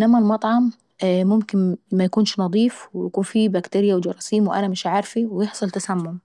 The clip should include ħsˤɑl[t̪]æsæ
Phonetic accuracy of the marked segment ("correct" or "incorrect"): correct